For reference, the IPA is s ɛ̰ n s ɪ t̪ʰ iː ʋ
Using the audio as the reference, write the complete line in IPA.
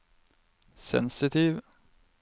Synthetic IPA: s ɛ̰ n s ɪ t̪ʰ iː ʋ